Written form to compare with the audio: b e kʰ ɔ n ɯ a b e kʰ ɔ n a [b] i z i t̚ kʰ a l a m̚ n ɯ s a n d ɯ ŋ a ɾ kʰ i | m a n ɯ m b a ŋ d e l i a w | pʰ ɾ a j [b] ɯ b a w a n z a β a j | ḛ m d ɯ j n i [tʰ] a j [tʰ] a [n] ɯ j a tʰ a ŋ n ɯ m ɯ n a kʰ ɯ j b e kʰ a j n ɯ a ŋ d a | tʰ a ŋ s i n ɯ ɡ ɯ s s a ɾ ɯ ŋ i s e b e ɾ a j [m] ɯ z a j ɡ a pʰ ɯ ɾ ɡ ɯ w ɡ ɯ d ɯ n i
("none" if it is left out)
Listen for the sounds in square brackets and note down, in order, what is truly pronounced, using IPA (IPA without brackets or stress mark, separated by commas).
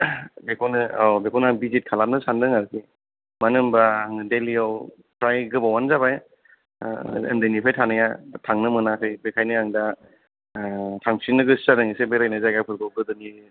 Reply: b, ɡ, pʰ, tʰ, n, n